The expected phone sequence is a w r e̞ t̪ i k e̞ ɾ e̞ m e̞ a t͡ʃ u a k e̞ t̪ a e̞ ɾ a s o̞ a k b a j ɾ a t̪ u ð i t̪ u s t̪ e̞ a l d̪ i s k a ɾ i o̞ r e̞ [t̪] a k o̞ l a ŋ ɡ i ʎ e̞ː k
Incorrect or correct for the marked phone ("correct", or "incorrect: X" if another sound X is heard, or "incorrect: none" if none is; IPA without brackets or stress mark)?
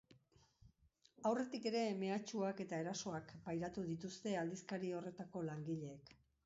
correct